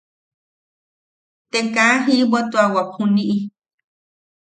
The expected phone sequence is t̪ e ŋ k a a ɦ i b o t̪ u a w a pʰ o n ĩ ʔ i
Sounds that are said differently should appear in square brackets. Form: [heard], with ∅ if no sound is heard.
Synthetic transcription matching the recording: t̪ e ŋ k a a ɦ i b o t̪ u a w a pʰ [u] n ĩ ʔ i